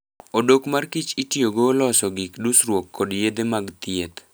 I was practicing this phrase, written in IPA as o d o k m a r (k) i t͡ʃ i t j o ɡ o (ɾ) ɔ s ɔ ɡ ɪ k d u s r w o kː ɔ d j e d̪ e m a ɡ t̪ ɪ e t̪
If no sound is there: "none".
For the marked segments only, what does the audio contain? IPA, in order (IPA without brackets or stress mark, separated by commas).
k, l